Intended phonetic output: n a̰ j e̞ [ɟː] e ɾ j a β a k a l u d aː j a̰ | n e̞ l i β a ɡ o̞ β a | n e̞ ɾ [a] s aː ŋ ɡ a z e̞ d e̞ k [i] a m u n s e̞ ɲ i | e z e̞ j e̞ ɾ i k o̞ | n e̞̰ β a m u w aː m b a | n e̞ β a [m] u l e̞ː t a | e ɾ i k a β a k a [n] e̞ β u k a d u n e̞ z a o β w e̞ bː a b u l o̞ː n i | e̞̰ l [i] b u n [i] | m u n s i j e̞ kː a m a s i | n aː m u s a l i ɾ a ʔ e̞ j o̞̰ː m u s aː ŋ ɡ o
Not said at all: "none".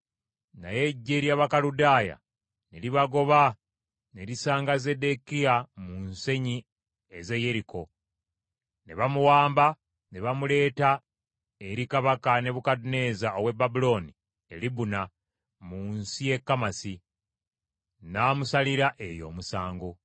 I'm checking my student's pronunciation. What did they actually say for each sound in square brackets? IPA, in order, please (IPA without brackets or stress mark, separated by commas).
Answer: ɟː, i, i, m, n, i, a